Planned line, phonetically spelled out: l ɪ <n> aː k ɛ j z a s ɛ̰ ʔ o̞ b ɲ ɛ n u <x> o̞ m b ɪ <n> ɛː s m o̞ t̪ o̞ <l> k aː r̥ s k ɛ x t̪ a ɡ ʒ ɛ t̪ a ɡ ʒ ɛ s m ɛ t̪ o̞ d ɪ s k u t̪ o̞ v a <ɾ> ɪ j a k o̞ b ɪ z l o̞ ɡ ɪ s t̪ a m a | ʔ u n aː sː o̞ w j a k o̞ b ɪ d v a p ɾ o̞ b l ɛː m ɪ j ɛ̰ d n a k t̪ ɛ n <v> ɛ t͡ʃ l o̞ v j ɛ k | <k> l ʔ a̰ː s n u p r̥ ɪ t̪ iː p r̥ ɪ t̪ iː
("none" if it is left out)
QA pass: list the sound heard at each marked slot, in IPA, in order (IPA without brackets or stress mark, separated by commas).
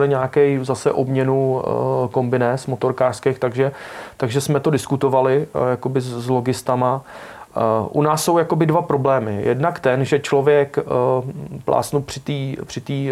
ɲ, k, n, ɾ, l, ʒ, p